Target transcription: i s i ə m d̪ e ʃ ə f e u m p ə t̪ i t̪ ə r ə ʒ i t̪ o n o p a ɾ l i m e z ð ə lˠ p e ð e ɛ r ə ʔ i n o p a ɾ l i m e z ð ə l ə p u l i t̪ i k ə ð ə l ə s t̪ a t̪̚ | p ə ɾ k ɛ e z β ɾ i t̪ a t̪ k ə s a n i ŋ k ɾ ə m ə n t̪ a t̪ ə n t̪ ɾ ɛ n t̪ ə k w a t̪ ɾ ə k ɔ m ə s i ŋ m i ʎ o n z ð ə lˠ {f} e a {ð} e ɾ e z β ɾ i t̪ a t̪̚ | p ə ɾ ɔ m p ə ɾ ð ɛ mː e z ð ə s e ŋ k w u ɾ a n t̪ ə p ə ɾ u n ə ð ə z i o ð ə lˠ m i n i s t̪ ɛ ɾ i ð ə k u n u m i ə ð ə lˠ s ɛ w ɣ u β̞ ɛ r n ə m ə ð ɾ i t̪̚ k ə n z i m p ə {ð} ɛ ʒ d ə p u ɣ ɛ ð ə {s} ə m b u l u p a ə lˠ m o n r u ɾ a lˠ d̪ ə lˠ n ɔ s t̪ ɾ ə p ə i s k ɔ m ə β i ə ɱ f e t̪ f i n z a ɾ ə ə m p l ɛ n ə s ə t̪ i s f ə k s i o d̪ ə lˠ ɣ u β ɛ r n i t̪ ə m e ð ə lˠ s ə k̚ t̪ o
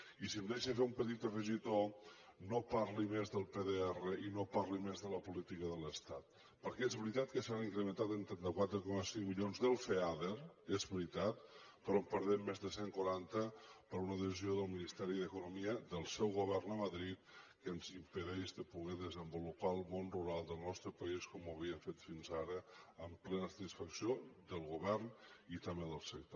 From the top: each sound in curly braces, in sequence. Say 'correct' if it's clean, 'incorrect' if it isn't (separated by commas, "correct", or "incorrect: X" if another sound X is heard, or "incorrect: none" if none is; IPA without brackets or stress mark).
correct, correct, correct, incorrect: z